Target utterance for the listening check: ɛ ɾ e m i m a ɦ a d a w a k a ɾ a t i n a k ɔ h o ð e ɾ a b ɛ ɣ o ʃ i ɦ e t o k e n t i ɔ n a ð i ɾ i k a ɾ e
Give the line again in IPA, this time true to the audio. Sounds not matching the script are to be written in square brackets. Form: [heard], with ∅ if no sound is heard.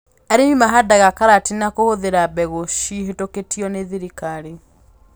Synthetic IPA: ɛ ɾ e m i m a ɦ a d a [ɣ] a k a ɾ a t i n a k [o] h o ð e ɾ a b ɛ ɣ o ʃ i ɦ e t o k e [∅] t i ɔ n [e] ð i ɾ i k a ɾ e